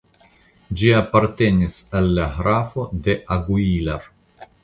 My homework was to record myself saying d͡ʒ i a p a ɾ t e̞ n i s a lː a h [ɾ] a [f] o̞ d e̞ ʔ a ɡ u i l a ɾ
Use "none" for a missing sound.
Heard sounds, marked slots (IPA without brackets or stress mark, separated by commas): ɾ, f